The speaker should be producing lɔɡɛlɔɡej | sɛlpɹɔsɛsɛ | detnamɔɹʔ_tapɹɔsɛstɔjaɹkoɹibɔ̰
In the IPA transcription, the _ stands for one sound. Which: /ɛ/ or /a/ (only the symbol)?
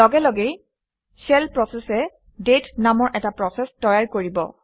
ɛ